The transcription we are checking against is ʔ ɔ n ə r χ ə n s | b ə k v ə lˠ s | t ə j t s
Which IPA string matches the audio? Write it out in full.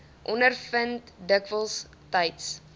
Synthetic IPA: ʔ ɔ n ə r f ə n t | d ə k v ə lˠ s | t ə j t s

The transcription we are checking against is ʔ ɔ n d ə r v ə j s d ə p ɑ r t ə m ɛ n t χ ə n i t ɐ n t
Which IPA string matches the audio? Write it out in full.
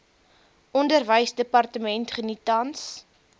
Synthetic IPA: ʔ ɔ n d ə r v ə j s d ə p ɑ r t ə m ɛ n t χ ə n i t ɐ n s

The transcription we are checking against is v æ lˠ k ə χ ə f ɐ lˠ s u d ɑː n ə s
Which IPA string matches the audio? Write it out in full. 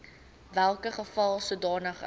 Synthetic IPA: v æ lˠ k ə χ ə f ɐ lˠ s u d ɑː n ə χ

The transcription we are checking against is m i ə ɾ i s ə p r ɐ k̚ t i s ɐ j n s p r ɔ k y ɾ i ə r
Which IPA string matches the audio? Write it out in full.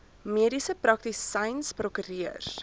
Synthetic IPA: m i ə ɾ i s ə p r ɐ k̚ t i s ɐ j n s p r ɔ k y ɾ i ə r

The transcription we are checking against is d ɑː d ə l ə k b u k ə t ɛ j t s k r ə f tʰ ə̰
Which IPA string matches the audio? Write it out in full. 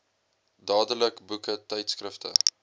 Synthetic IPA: d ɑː d ə l ə k b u k ə t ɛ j t s k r ə f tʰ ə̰

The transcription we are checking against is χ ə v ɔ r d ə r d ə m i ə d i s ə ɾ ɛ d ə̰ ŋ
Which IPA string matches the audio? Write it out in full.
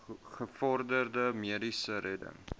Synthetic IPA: χ ə f ɔ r d ə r d ə m i ə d i s ə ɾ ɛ d ə̰ ŋ

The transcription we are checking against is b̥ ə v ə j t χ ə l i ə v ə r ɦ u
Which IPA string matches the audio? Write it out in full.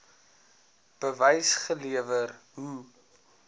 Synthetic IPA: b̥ ə v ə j s χ ə l i ə v ə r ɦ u

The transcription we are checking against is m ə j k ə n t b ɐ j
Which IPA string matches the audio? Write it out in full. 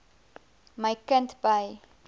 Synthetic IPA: m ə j k ə n t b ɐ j

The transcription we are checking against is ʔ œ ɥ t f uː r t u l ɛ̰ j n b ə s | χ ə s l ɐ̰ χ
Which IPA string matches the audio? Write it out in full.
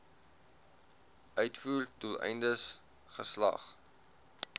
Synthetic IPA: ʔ œ ɥ t f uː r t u l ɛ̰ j n d ə s | χ ə s l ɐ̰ χ

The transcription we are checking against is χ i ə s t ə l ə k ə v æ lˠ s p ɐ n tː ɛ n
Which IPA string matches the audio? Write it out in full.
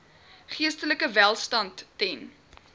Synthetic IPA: χ i ə s t ə l ə k ə v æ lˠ s t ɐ n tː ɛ n

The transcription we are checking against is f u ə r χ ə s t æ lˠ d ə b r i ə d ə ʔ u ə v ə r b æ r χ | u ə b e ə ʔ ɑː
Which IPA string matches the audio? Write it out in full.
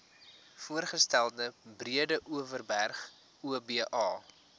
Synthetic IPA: f u ə r χ ə s t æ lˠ d ə b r i ə d ə ʔ u ə v ə r b æ r χ | u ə b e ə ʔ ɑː

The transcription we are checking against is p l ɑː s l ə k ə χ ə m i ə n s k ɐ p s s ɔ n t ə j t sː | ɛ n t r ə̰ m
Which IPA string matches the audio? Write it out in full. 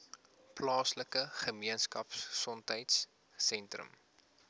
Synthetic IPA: p l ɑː s l ə k ə χ ə m i ə n s k ɐ p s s ɔ n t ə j t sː | ɛ n t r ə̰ m

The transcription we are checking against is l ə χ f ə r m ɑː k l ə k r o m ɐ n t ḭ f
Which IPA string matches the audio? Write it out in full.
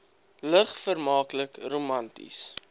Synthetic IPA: l ə χ f ə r m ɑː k l ə k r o m ɐ n t ḭ s

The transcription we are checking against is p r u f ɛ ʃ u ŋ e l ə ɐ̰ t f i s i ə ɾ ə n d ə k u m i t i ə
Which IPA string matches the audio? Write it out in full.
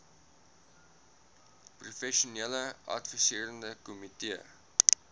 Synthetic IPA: p r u f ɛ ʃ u n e l ə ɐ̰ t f i s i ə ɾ ə n d ə k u m i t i ə

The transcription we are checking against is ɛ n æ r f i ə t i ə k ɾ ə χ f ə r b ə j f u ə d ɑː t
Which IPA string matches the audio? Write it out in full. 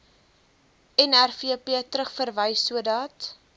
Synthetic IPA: ɛ n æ r f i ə p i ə t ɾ ə χ f ə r v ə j s u ə d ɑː t

